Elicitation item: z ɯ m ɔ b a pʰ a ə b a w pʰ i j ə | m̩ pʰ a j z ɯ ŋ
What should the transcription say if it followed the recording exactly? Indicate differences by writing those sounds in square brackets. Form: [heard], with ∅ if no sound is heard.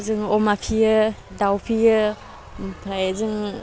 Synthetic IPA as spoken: z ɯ [ŋ] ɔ [m] a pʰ [i] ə [d] a w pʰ i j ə | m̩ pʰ a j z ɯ ŋ